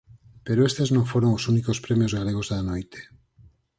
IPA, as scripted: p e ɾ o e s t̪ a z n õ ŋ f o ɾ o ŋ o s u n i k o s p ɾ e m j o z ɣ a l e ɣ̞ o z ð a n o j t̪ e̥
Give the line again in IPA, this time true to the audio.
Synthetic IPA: p e ɾ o e s t̪ e z n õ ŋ f o ɾ o ŋ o s u n i k o s p ɾ e m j o z ɣ a l e ɣ̞ o z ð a n o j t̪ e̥